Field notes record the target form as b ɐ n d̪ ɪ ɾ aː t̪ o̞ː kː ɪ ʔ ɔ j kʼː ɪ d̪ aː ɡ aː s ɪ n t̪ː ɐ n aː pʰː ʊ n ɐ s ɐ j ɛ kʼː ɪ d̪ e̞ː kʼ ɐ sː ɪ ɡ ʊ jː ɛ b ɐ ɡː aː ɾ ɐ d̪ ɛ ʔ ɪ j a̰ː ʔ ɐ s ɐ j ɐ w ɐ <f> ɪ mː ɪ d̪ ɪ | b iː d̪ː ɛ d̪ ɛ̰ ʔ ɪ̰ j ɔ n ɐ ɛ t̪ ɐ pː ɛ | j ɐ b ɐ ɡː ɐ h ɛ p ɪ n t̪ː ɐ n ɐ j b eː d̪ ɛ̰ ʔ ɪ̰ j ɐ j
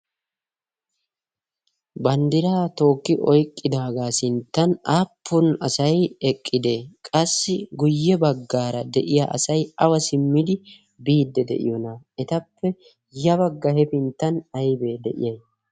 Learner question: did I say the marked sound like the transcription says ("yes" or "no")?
no